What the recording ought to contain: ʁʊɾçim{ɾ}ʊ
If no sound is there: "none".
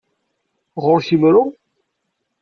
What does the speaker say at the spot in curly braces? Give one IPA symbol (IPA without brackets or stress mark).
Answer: ɾ